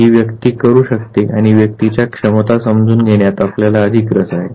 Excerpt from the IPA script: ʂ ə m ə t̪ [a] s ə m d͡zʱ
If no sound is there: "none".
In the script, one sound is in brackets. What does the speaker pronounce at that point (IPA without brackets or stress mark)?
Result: a